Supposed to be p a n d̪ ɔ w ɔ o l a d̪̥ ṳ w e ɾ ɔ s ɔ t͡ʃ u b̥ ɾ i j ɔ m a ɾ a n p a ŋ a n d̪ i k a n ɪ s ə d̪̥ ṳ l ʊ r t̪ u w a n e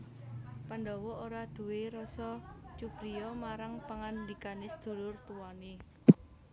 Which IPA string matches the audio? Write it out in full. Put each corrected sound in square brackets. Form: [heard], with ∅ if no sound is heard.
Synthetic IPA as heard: p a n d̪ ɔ w ɔ o [ɾ] a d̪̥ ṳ w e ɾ ɔ s ɔ t͡ʃ u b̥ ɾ i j ɔ m a ɾ a [ŋ] p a ŋ a n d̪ i k a n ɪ s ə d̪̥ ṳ l ʊ r t̪ u w a n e